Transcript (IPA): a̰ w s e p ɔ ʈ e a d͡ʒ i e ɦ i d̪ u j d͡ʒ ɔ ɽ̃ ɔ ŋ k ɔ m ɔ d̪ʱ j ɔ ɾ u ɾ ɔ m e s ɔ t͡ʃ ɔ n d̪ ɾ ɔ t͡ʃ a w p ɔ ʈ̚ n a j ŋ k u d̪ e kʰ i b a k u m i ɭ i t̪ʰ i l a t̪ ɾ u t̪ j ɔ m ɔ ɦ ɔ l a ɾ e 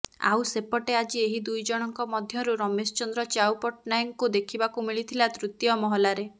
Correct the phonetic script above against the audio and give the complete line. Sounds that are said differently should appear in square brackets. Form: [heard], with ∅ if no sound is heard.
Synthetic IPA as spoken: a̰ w s e p ɔ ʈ e a d͡ʒ i e ɦ i d̪ u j d͡ʒ ɔ ɽ̃ ɔ ŋ k ɔ m ɔ d̪ʱ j ɔ ɾ u ɾ ɔ m e s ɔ t͡ʃ ɔ n d̪ ɾ ɔ t͡ʃ a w p ɔ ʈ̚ n a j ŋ k u d̪ e kʰ i b a k u m i ɭ i t̪ʰ i l a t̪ ɾ u t̪ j ɔ m ɔ ɦ ɔ l a ɾ e